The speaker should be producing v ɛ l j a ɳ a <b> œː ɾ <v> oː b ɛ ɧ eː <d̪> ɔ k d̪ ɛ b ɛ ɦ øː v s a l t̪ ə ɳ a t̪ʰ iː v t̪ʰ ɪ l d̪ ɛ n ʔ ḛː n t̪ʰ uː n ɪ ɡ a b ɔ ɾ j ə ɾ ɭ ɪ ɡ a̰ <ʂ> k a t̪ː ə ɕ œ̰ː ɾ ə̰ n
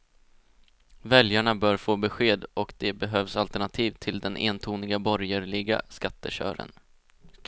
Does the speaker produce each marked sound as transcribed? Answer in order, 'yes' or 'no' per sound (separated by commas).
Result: yes, no, yes, no